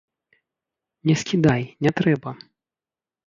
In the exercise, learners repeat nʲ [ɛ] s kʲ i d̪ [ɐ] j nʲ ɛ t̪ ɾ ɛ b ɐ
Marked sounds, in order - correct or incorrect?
correct, incorrect: a

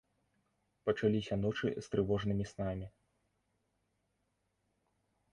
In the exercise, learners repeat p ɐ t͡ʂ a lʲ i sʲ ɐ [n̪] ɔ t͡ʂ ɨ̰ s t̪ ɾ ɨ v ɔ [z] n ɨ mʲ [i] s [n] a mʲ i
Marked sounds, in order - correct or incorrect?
correct, incorrect: ʐ, correct, correct

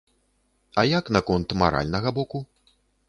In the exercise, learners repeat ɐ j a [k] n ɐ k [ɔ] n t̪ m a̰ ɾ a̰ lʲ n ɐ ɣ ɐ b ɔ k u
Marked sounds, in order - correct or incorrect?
correct, correct

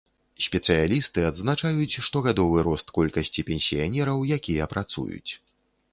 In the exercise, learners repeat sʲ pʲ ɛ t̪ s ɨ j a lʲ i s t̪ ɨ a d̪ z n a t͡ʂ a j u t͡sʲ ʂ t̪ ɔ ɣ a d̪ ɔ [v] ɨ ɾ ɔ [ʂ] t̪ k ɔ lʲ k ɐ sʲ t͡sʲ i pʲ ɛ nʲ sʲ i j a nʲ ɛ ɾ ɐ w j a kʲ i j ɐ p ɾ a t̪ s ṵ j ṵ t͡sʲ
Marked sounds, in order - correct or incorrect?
correct, incorrect: s

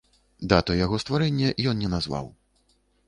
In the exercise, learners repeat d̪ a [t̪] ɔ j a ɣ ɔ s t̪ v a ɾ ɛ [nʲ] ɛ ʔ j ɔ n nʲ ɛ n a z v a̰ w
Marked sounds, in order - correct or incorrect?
correct, incorrect: nʲː

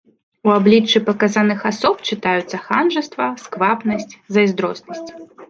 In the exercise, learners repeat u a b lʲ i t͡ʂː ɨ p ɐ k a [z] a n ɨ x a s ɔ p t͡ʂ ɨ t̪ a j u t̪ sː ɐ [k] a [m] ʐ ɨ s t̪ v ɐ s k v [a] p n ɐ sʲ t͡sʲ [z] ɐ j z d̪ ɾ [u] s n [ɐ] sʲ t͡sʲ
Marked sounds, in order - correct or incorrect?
correct, incorrect: x, incorrect: n, correct, correct, incorrect: ɔ, correct

